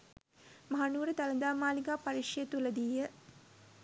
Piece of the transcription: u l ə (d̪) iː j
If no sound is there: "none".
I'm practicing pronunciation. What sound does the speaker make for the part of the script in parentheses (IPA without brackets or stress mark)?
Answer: d̪